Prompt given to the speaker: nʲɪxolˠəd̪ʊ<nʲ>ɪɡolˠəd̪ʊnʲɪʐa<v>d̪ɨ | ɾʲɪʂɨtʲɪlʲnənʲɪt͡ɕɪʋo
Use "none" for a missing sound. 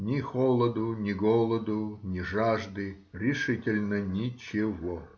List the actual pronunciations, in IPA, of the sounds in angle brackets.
nʲ, ʐ

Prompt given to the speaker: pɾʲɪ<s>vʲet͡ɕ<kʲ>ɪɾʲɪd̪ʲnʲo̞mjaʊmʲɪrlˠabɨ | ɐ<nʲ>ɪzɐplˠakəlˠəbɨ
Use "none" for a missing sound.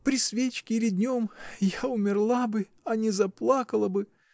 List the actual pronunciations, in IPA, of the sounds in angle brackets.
s, kʲ, nʲ

